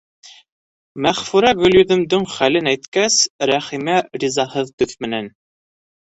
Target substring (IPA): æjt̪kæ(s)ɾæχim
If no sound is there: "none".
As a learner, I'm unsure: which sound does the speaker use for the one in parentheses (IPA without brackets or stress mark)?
s